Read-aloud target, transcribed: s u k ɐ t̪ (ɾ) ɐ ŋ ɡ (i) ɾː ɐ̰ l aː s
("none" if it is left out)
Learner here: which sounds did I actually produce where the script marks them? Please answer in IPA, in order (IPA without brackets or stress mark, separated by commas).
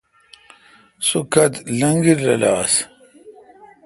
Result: l, i